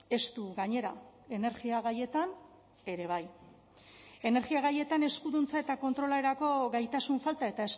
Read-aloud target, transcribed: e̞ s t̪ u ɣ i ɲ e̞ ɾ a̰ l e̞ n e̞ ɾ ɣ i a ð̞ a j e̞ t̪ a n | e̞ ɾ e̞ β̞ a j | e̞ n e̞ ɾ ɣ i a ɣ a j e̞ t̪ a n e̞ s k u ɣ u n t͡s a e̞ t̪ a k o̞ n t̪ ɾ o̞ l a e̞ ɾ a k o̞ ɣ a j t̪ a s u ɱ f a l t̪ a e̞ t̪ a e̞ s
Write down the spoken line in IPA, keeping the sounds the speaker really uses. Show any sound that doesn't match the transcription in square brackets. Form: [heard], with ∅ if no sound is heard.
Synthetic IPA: e̞ s t̪ u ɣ [a] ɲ e̞ ɾ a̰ [∅] e̞ n e̞ ɾ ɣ i a [ɣ̞] a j e̞ t̪ a n | e̞ ɾ e̞ β̞ a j | e̞ n e̞ ɾ ɣ i a ɣ a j e̞ t̪ a n e̞ s k u [ð] u n t͡s a e̞ t̪ a k o̞ n t̪ ɾ o̞ l a e̞ ɾ a k o̞ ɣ a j t̪ a s u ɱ f a l t̪ a e̞ t̪ a e̞ s